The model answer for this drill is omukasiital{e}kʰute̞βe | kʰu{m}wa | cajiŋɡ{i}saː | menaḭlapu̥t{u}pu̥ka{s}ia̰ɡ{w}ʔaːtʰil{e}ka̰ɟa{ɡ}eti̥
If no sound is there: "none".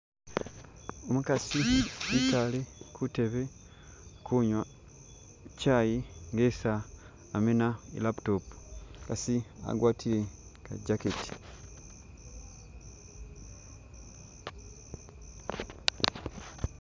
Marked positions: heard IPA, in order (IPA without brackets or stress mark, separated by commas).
e, ɲ, e, o, s, w, e, k